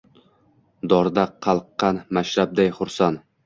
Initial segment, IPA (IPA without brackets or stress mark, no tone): d̪